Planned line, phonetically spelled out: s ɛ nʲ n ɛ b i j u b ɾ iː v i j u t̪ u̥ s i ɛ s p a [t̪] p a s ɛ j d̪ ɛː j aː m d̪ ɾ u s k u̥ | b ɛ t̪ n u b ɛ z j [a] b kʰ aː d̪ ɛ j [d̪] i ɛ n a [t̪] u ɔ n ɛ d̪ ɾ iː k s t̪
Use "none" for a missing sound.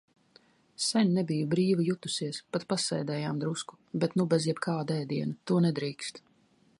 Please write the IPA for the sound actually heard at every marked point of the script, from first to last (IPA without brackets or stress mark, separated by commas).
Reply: t̪, ɛ, d̪, t̪